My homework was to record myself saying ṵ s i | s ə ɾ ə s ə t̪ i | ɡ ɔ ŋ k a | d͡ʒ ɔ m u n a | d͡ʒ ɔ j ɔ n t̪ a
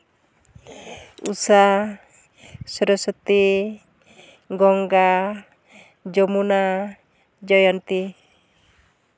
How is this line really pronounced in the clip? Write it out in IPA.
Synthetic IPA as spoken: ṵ s a | s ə ɾ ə s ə t̪ i | ɡ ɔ ŋ ɡ a | d͡ʒ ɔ m u n a | d͡ʒ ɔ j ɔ n t̪ i